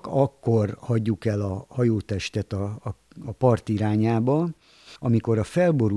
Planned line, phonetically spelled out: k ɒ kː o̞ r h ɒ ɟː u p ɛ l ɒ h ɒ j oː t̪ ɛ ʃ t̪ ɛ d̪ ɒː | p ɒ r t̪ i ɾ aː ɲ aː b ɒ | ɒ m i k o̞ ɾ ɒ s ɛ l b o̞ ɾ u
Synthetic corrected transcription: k ɒ kː o̞ r h ɒ ɟː u k ɛ l ɒ h ɒ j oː t̪ ɛ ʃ t̪ ɛ t̪ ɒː | p ɒ r t̪ i ɾ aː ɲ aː b ɒ | ɒ m i k o̞ ɾ ɒ f ɛ l b o̞ ɾ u